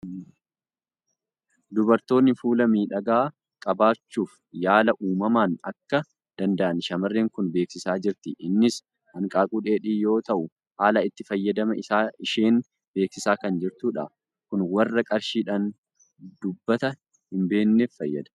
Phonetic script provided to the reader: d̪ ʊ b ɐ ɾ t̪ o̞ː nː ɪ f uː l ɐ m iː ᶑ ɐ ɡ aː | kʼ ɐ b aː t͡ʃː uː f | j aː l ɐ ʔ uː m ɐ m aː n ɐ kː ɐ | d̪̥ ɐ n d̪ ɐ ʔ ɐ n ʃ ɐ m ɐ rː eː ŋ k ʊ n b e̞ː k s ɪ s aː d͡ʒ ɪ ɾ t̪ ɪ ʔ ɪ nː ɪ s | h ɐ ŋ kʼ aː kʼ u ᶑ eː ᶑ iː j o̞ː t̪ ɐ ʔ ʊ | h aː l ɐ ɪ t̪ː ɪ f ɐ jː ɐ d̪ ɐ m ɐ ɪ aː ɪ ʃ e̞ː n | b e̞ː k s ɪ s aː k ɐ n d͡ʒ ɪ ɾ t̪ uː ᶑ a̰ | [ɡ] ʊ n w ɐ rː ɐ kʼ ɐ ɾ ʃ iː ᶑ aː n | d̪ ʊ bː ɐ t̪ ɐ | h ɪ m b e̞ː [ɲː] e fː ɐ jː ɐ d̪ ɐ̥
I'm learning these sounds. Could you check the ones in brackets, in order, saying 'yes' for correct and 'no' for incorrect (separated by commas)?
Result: no, no